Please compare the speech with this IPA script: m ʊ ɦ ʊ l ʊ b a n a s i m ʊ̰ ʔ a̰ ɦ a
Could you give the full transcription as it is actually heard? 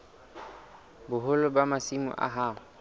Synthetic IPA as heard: b ʊ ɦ ʊ l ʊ b a m a s i m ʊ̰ ʔ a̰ ɦ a